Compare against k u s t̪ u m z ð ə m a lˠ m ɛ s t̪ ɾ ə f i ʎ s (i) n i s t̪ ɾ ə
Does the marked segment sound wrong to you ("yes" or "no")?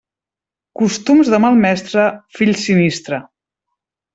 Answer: no